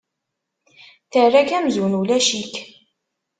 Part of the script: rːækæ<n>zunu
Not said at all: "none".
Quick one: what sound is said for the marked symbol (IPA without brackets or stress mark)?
m